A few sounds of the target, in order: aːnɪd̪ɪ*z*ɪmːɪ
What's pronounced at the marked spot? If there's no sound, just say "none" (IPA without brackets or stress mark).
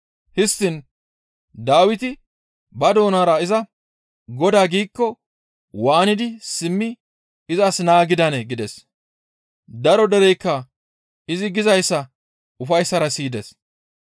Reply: s